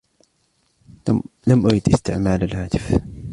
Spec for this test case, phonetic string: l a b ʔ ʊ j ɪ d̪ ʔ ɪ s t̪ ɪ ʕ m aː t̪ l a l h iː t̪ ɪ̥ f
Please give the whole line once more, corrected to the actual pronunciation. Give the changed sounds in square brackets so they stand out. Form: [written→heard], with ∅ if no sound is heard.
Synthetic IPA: l a [b→m] ʔ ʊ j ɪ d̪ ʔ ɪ s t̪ ɪ ʕ m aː [t̪→∅] l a l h [iː→aː] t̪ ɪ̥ f